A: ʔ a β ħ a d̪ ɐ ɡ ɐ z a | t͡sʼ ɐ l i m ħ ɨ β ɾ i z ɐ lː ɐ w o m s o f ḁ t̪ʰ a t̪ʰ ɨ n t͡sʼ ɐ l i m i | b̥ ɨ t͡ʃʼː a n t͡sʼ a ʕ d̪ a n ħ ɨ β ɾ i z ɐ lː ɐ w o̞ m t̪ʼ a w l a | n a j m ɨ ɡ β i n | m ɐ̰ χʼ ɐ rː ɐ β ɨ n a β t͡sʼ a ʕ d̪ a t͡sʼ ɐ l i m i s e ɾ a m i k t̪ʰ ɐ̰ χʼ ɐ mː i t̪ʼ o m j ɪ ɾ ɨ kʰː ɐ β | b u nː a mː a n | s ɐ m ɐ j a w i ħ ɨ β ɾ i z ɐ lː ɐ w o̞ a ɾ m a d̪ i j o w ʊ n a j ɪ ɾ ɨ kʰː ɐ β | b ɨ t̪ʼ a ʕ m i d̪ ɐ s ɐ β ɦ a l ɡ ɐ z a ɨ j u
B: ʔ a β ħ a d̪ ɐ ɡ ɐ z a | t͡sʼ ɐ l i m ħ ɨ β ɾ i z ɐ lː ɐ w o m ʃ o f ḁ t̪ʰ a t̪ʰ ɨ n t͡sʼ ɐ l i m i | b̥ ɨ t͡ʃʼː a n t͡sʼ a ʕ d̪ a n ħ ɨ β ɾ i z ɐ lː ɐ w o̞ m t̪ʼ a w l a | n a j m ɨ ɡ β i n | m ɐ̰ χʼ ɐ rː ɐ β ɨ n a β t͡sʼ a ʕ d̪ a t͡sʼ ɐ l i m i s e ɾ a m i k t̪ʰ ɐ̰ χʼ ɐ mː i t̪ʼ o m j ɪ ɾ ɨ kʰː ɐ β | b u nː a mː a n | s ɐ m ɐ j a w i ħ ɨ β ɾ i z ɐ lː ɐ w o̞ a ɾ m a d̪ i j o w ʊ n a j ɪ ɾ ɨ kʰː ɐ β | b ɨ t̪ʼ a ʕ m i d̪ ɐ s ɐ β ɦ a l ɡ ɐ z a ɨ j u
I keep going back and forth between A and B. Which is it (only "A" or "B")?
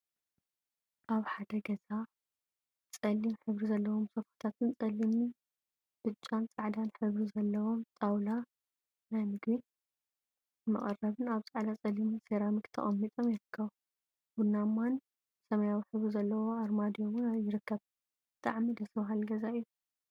A